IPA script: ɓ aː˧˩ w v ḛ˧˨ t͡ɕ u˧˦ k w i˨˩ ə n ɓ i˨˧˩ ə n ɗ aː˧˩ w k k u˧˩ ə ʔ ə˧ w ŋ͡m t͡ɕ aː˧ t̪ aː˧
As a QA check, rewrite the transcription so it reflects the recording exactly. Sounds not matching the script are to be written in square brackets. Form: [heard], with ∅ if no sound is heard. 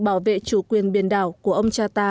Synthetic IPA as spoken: ɓ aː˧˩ w v ḛ˧˨ t͡ɕ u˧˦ k w i˨˩ ə n ɓ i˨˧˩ ə n ɗ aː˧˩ w k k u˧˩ ə ʔ ə˧ w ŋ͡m t͡ɕ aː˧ t̪ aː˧